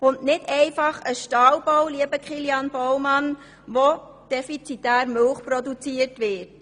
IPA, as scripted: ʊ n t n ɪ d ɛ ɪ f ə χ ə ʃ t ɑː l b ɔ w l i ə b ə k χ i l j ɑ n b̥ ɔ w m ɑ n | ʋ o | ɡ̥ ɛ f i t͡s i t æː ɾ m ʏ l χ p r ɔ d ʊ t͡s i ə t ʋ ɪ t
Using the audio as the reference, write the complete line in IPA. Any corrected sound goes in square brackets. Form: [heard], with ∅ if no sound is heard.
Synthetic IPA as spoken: ʊ n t n ɪ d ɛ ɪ f [ɑ] χ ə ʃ t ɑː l b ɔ w l i ə b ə k χ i l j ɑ n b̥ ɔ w m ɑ n | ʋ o | [d̥] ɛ f i t͡s i t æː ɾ m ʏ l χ p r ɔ d [u] t͡s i ə t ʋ ɪ t